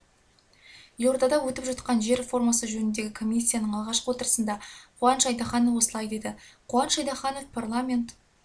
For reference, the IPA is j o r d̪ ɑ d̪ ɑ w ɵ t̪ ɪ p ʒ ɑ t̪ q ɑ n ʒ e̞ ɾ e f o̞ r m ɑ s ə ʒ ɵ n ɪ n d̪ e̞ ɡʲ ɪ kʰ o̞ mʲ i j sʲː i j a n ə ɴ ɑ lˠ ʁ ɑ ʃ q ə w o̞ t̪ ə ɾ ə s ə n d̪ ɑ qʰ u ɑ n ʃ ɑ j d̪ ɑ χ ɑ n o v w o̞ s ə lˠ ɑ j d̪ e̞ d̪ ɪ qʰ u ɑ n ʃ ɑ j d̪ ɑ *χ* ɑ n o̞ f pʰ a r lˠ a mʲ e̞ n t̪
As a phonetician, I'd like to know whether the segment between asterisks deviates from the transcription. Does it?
no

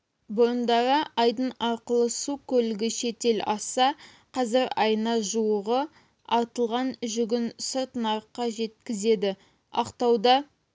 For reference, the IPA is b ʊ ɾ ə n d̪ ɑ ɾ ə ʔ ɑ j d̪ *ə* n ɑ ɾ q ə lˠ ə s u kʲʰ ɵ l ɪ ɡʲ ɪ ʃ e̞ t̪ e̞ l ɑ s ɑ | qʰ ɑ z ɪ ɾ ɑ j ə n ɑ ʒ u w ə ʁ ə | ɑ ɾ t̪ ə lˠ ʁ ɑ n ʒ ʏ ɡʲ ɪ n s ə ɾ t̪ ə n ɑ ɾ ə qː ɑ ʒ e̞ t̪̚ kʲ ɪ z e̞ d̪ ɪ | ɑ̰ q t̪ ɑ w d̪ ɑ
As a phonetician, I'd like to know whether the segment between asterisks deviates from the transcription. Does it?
no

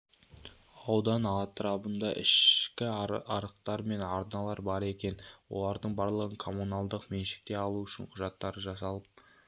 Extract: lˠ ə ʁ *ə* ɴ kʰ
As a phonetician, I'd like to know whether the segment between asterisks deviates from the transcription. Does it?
no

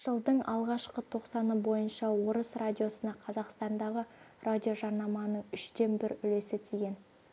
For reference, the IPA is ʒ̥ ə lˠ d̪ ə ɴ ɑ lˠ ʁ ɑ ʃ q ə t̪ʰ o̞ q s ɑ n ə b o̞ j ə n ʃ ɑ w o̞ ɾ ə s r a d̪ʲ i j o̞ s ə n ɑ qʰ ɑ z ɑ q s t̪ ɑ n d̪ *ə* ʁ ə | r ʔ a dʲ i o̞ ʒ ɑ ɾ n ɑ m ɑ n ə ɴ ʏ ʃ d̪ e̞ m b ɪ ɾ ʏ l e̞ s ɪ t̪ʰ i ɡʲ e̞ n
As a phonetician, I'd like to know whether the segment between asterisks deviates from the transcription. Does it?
yes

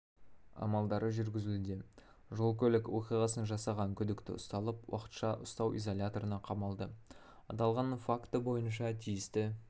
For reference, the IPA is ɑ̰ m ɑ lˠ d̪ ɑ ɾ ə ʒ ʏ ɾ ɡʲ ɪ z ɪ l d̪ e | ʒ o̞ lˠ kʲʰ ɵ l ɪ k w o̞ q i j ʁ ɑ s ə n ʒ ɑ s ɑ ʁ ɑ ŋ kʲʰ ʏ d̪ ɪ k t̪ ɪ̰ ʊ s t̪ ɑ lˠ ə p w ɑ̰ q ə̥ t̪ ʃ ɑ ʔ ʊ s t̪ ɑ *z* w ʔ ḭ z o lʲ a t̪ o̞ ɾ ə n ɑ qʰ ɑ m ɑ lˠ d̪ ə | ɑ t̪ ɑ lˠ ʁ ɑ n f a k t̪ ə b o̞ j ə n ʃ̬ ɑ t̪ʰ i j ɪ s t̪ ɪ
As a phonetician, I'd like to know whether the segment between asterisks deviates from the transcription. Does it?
yes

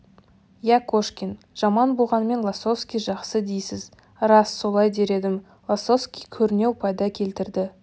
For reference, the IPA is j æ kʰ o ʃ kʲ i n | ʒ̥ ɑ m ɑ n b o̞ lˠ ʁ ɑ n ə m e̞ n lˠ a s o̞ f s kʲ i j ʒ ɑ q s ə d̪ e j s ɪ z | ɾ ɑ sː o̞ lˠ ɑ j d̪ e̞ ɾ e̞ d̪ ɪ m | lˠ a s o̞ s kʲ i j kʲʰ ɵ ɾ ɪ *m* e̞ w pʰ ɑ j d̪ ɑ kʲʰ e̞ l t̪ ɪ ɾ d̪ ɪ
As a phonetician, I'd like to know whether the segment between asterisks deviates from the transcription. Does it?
yes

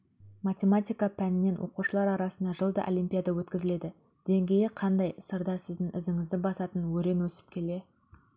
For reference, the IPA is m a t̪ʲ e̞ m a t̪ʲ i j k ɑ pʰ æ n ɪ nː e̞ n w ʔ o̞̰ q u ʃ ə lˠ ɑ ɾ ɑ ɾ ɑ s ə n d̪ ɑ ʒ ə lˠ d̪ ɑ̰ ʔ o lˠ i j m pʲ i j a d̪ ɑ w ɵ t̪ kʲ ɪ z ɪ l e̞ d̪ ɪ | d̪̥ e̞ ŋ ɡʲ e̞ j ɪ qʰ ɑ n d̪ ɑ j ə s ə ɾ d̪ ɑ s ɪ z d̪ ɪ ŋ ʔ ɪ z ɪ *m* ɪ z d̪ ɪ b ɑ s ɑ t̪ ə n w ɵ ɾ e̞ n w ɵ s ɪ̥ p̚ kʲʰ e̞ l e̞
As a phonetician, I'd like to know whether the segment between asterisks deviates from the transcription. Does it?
yes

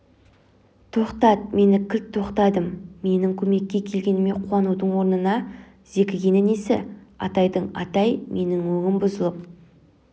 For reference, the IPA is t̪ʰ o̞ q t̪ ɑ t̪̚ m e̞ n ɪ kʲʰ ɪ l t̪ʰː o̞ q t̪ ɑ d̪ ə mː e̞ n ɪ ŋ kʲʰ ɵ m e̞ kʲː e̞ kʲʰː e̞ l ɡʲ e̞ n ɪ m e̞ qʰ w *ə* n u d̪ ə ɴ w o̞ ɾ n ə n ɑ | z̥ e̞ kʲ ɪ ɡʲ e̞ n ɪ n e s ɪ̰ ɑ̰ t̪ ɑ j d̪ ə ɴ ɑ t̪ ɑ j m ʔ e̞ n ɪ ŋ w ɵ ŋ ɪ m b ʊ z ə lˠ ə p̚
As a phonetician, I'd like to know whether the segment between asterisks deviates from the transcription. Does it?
yes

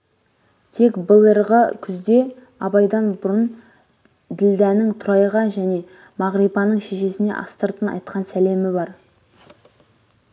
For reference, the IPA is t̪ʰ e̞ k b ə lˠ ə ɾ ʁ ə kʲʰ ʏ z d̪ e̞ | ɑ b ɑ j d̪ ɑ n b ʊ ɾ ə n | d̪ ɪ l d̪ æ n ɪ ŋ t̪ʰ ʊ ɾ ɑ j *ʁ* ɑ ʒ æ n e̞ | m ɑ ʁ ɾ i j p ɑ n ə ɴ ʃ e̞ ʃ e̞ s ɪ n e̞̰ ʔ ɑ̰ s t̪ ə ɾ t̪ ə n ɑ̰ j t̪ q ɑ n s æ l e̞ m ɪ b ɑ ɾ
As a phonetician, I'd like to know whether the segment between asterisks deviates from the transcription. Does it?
no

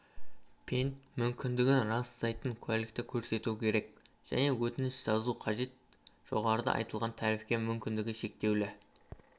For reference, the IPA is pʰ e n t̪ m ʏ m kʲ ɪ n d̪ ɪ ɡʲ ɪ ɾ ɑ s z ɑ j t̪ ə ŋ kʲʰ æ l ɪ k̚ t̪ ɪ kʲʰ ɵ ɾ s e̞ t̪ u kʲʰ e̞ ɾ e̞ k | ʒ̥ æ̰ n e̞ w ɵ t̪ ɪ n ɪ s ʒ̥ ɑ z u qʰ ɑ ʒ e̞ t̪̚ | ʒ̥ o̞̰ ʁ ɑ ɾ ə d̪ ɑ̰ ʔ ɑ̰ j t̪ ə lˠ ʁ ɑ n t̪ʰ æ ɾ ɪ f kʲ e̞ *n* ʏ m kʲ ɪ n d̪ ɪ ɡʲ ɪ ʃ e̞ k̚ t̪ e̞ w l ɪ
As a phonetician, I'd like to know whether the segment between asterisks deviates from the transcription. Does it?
yes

